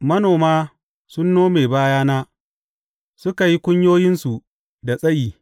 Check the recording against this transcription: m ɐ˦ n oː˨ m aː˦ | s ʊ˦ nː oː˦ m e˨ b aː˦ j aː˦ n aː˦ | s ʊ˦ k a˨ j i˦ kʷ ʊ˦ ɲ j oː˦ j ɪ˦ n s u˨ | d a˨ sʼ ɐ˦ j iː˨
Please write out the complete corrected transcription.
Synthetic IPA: m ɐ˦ n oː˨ m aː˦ | s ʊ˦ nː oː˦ m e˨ b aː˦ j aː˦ n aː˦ | s ʊ˦ k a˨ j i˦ kʷ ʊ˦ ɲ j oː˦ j ɪ˦ n s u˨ | d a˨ sʼ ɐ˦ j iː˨